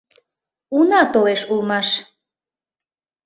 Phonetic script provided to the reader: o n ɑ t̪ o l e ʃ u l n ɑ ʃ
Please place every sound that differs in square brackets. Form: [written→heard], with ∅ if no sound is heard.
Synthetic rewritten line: [o→u] n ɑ t̪ o l e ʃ u l [n→m] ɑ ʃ